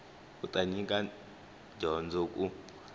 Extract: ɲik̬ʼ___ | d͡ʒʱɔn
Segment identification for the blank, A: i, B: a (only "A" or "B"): B